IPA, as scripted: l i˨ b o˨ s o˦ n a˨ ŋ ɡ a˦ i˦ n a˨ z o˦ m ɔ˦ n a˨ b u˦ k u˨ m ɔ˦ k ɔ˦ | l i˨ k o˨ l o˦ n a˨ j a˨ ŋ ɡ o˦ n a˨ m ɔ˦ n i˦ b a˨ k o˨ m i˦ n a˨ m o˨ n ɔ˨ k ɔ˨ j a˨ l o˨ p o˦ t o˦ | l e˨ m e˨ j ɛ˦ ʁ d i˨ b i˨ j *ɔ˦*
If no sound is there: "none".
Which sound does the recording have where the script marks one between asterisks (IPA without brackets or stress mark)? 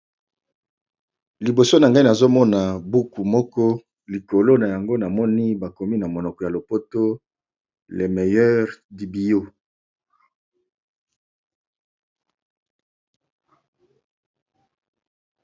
o˦